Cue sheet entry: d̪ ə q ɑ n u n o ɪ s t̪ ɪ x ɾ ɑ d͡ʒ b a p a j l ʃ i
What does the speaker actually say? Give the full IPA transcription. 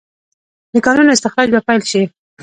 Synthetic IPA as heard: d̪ ə k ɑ n u n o ɪ s t̪ ɪ x ɾ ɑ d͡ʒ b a p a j l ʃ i